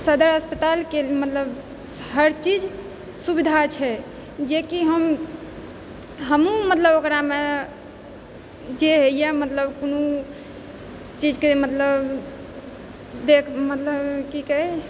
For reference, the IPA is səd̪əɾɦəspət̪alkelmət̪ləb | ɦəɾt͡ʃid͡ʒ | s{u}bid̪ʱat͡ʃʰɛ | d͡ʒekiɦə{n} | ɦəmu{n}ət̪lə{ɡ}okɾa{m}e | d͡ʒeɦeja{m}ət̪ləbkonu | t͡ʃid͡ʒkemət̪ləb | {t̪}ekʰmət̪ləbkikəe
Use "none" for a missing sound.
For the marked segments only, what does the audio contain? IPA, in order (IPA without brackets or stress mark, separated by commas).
u, m, m, b, m, m, d̪